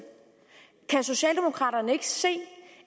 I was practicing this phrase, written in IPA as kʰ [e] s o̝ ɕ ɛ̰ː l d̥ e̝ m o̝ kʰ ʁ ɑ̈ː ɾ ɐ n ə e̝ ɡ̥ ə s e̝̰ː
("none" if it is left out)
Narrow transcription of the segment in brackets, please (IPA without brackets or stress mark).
æ